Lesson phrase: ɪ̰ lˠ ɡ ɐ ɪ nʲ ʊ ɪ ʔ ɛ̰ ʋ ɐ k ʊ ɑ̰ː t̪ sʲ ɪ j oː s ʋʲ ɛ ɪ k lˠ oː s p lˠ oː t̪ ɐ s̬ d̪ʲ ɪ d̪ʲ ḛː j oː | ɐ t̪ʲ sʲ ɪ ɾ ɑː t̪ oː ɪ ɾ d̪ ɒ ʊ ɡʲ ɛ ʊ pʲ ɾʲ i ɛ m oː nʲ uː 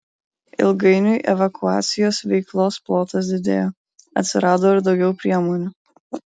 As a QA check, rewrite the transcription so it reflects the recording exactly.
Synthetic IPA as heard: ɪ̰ lˠ ɡ ɐ ɪ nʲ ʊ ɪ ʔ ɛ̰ ʋ ɐ k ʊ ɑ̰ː t̪ sʲ ɪ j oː s ʋʲ ɛ ɪ k lˠ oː s p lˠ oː t̪ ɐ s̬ d̪ʲ ɪ d̪ʲ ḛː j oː | ɐ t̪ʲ sʲ ɪ ɾ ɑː d̪ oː ɪ ɾ d̪ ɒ ʊ ɡʲ ɛ ʊ pʲ ɾʲ i ɛ m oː nʲ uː